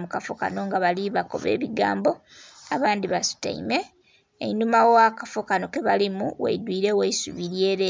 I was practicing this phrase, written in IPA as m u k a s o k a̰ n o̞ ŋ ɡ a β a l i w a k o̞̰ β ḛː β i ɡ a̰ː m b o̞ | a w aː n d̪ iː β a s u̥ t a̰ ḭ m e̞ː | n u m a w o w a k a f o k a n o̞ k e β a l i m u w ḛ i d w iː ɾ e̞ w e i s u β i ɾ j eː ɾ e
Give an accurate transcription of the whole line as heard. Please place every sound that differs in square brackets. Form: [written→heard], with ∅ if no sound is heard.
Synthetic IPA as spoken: m u k a [s→f] o k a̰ n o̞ ŋ ɡ a β a l i [w→β] a k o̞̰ β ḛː β i ɡ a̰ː m b o̞ | a [w→β] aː n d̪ [iː→i] β a s u̥ t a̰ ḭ m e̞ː | n u m a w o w a k a f o k a n o̞ k e β a l i m u w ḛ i d w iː ɾ e̞ w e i s u β i ɾ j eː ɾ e